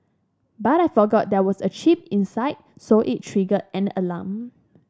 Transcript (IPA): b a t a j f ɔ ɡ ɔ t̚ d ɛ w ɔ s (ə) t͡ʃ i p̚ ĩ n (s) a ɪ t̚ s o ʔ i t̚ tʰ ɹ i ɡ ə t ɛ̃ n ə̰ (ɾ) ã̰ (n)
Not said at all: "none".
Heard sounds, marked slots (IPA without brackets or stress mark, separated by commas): ə, s, l, m